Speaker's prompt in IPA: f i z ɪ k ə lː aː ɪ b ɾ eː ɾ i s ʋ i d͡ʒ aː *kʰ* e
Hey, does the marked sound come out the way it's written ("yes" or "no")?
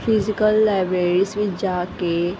no